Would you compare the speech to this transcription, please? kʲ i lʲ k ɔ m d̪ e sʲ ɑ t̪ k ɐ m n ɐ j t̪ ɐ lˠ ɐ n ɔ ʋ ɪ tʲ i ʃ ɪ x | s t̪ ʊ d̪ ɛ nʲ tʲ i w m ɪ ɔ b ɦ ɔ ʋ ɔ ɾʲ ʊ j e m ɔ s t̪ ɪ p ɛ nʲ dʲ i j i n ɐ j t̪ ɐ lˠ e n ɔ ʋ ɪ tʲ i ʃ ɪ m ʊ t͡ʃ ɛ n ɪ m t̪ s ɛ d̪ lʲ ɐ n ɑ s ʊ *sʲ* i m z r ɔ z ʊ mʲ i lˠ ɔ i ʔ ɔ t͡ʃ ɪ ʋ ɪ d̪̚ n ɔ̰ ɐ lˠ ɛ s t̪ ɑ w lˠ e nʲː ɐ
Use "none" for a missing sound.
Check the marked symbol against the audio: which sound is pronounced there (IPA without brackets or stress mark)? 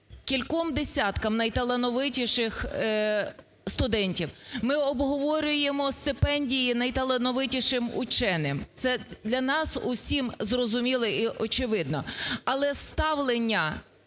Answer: sʲ